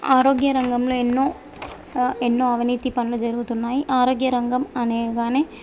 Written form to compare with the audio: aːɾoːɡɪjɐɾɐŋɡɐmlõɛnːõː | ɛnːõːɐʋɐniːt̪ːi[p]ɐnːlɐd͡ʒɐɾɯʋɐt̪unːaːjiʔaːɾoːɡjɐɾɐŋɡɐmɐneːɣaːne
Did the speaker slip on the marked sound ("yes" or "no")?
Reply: no